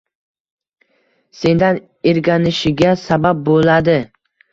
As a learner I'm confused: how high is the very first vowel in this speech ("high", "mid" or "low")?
mid